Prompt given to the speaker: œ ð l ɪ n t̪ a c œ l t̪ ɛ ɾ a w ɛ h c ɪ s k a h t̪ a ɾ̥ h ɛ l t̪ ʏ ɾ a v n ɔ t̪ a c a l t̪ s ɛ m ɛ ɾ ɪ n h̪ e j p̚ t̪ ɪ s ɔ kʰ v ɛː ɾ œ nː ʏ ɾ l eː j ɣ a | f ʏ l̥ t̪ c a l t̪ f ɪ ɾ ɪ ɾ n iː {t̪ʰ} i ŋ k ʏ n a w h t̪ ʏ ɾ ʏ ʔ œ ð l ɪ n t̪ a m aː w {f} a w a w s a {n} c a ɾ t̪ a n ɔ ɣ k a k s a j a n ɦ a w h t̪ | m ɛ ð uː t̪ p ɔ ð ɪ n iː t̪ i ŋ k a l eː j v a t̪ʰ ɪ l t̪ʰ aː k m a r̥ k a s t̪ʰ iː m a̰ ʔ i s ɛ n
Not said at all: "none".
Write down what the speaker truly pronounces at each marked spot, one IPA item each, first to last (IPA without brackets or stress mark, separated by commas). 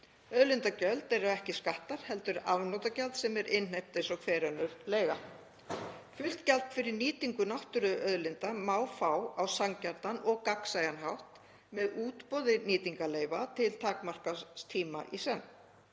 t̪, f, ŋ